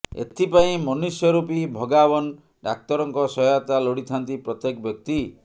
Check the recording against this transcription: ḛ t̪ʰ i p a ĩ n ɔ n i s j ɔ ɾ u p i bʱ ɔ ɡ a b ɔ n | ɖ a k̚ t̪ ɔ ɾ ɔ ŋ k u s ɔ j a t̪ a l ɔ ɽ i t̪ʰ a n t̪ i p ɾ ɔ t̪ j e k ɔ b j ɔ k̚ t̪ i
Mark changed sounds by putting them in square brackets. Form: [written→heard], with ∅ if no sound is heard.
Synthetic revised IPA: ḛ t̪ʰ i p a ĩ [n→m] ɔ n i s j ɔ ɾ u p i bʱ ɔ ɡ a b ɔ n | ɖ a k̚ t̪ ɔ ɾ ɔ ŋ k [u→ɔ] s ɔ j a t̪ a l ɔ ɽ i t̪ʰ a n t̪ i p ɾ ɔ t̪ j e k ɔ b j ɔ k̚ t̪ i

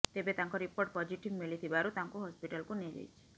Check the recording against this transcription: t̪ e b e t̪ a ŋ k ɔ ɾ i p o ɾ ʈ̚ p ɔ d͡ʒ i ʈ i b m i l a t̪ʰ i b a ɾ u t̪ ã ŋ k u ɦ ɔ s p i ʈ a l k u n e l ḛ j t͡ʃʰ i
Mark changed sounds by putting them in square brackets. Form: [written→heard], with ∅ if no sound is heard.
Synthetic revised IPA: t̪ e b e t̪ a ŋ k ɔ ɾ i p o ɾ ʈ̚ p ɔ d͡ʒ i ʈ i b m i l [a→i] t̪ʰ i b a ɾ u t̪ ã ŋ k u ɦ ɔ s p i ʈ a l k u n e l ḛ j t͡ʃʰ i

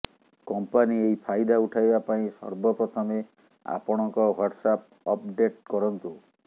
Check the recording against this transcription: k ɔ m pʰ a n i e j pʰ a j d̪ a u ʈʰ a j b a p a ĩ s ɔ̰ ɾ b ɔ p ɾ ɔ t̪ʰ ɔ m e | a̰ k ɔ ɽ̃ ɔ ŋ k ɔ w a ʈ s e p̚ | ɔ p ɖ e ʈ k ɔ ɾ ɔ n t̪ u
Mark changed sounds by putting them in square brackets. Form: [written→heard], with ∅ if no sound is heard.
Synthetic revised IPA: k ɔ m [pʰ→p] a n i e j pʰ a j d̪ a u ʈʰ a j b a p a ĩ s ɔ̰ ɾ b ɔ p ɾ ɔ t̪ʰ ɔ m e | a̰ [k→p] ɔ ɽ̃ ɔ ŋ k ɔ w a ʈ s [e→a] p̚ | ɔ p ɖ e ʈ k ɔ ɾ ɔ n t̪ u

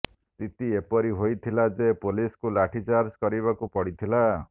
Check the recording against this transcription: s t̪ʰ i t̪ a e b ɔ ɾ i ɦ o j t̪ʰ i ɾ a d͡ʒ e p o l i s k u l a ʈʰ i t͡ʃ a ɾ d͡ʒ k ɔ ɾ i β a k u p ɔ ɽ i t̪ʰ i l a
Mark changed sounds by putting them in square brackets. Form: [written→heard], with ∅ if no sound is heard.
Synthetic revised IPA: s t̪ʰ i t̪ [a→i] e [b→p] ɔ ɾ i ɦ o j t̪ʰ i [ɾ→l] a d͡ʒ e p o l i s k u l a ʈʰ i t͡ʃ a ɾ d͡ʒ k ɔ ɾ i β a k u p ɔ ɽ i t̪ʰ i l a

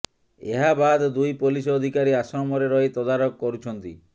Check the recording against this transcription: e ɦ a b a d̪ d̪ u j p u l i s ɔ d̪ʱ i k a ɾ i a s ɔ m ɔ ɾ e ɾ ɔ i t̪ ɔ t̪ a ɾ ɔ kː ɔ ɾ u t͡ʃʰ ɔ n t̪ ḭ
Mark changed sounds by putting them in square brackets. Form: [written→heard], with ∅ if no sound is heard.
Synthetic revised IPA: e ɦ a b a d̪ d̪ u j p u l i s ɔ d̪ʱ i k a ɾ i a s ɔ m ɔ ɾ e ɾ ɔ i t̪ ɔ [t̪→d̪] a ɾ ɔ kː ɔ ɾ u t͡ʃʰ ɔ n t̪ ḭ

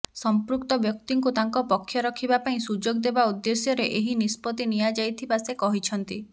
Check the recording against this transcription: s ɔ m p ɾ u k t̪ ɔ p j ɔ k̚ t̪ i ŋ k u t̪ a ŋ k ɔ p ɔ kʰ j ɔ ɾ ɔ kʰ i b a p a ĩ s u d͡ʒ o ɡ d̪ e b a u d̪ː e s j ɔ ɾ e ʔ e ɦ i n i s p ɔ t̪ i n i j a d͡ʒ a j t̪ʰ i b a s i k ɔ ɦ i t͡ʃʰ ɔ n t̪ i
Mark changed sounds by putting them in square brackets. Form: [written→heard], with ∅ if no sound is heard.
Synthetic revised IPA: s ɔ m p ɾ u k t̪ ɔ [p→b] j ɔ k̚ t̪ i ŋ k u t̪ a ŋ k ɔ p ɔ kʰ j ɔ ɾ ɔ kʰ i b a p a ĩ s u d͡ʒ o ɡ d̪ e b a u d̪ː e s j ɔ ɾ e ʔ e ɦ i n i s p ɔ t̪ i n i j a d͡ʒ a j t̪ʰ i b a s [i→e] k ɔ ɦ i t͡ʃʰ ɔ n t̪ i

